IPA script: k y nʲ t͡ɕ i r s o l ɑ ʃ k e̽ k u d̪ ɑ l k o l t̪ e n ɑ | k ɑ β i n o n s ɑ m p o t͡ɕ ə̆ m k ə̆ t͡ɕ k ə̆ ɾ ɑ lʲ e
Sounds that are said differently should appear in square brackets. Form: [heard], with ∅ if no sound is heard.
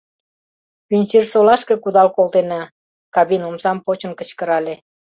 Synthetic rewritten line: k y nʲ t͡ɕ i r s o l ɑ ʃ k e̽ k u d̪ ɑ l k o l t̪ e n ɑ | k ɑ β i n o [m] s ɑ m p o t͡ɕ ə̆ [n] k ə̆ t͡ɕ k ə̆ ɾ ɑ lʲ e